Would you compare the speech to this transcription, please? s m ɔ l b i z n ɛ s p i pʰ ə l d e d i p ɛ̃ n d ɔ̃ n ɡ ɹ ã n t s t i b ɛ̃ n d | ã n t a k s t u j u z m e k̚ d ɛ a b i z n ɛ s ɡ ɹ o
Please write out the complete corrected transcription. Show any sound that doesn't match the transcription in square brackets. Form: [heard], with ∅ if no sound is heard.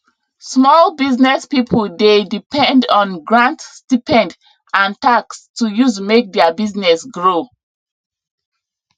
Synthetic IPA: s m ɔ l b i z n ɛ s p i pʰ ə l d e d i p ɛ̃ n d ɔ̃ n ɡ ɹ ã n t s t i [p] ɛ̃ n d | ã n t a k s t u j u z m e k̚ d ɛ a b i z n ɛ s ɡ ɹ o

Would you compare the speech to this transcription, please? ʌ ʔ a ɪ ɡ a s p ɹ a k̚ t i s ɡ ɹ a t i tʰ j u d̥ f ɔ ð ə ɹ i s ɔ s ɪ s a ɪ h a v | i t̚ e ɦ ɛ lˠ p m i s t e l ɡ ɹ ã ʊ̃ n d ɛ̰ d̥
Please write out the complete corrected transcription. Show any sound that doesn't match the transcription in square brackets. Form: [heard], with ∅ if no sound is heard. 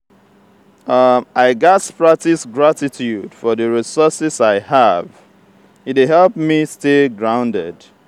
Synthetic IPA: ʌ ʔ a ɪ ɡ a s p ɹ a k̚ t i s ɡ ɹ a t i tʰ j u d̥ f ɔ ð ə ɹ i s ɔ s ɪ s a ɪ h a v | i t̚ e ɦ ɛ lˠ p m i s t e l ɡ ɹ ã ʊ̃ n d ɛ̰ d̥

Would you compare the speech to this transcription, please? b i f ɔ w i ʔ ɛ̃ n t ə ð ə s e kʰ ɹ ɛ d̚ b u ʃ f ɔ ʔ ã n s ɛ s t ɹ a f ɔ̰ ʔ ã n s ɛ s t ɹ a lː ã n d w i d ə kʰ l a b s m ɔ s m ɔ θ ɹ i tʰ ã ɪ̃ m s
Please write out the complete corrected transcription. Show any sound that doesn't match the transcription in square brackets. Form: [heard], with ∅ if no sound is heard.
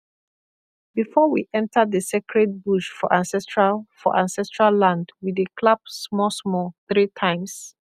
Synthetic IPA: b i f ɔ w i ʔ ɛ̃ n t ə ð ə s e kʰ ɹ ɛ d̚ b u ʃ f ɔ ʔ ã n s ɛ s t ɹ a f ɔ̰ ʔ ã n s ɛ s t ɹ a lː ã n d w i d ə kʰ l a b s m ɔ s m ɔ θ ɹ i tʰ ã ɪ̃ m s

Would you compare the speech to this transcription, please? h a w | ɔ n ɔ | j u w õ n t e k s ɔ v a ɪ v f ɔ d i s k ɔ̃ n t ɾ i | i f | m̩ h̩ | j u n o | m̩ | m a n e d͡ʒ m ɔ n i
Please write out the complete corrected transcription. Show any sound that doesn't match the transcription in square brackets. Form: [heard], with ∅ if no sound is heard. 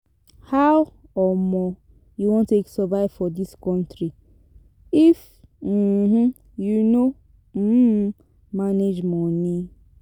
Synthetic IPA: h a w | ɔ [m] ɔ | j u w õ n t e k s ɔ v a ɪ v f ɔ d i s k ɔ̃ n t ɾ i | i f | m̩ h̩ | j u n o | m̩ | m a n e d͡ʒ m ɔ n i

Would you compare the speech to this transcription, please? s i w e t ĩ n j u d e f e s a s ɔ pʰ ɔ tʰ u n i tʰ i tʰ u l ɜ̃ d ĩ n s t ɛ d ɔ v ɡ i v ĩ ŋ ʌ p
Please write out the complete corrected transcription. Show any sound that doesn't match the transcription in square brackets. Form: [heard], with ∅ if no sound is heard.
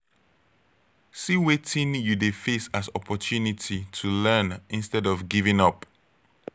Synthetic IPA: s i w e t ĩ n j u d e f e s a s ɔ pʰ ɔ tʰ u n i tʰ i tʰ u l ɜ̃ [n] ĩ n s t ɛ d ɔ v ɡ i v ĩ ŋ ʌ p

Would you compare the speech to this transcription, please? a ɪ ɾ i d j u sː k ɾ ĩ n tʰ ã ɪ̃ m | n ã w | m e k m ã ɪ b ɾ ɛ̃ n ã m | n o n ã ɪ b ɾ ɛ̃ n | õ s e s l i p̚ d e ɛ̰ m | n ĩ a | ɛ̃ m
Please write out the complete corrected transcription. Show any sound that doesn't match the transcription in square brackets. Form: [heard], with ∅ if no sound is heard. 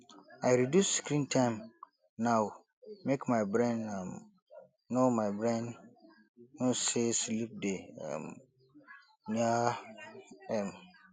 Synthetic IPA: a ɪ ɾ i d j u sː k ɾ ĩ n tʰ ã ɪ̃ m | n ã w | m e k m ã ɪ b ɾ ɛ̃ n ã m | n o [m] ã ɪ b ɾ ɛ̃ n | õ s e s l i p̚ d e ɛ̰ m | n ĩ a | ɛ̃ m

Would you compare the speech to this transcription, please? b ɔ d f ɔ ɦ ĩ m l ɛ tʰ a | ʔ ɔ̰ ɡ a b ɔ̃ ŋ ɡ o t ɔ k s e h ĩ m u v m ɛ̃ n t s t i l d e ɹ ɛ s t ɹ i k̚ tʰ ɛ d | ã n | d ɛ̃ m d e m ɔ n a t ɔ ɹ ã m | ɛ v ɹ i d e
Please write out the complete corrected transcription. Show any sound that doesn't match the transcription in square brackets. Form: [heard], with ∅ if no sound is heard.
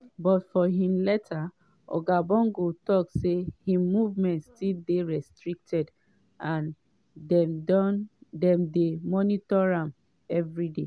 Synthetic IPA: b ɔ [t] f ɔ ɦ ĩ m l ɛ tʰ a | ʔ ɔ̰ ɡ a b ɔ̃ ŋ ɡ o t ɔ k s e h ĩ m u v m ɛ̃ n t s t i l d e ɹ ɛ s t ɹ i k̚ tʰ ɛ d | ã n | d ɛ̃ m d e m ɔ n [i] t ɔ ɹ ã m | ɛ v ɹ i d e

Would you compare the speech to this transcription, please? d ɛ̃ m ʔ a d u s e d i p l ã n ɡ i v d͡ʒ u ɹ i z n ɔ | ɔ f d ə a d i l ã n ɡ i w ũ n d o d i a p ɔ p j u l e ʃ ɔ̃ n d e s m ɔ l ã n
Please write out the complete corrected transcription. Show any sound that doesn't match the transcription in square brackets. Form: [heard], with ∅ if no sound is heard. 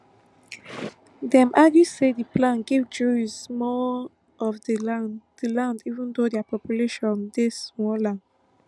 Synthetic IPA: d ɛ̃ m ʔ a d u s e d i p l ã n ɡ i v d͡ʒ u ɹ i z [m] ɔ | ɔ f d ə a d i l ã n [d] i [v] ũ n d o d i a p ɔ p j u l e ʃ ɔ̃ n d e s m ɔ l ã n

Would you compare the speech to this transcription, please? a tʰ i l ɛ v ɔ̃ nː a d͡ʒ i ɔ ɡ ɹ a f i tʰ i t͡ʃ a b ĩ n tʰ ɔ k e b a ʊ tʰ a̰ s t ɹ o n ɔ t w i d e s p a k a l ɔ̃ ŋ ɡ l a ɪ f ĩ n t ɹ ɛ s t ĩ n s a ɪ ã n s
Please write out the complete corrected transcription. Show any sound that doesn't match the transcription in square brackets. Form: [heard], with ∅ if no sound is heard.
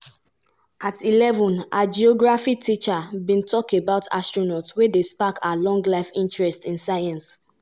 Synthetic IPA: a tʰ i l ɛ v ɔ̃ [n] a d͡ʒ i ɔ ɡ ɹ a f i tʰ i t͡ʃ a b ĩ n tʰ ɔ k e b a ʊ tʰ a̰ s t ɹ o n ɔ t w [e] d e s p a k a l ɔ̃ ŋ ɡ l a ɪ f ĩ n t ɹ ɛ s t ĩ n s a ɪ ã n s

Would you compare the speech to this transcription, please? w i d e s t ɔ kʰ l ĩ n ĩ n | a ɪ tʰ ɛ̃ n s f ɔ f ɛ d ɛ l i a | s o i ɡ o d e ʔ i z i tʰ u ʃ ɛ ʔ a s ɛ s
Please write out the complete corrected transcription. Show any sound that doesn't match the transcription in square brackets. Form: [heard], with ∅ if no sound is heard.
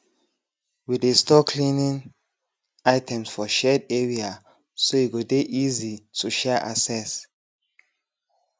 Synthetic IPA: w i d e s t ɔ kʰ l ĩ n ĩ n | a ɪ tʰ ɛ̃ [m] s f ɔ [ʃ] ɛ d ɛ [ɹ] i a | s o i ɡ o d e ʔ i z i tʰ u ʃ ɛ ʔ a s ɛ s

